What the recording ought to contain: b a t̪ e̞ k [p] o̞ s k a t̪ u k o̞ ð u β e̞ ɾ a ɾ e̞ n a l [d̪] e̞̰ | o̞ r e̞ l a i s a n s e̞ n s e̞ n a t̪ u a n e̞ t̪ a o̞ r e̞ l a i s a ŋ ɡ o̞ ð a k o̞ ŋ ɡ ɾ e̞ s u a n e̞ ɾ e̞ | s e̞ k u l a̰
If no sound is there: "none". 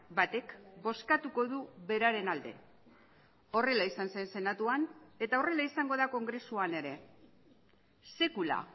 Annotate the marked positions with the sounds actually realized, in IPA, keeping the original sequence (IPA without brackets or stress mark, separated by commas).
b, d̪